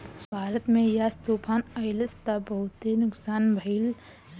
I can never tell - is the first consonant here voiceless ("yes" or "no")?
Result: no